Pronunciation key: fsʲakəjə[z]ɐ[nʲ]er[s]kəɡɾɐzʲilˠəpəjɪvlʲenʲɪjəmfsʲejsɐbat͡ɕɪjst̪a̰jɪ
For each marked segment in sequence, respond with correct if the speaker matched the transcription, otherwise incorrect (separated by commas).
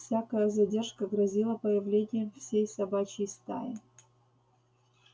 correct, incorrect, incorrect